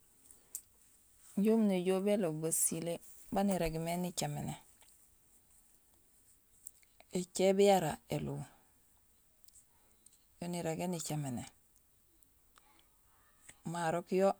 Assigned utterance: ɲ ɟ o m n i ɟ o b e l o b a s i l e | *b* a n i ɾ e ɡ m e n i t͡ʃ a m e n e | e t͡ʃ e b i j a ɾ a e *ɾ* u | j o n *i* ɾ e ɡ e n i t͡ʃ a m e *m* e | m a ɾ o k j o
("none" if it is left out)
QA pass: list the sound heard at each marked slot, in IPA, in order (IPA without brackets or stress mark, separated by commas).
b, l, i, n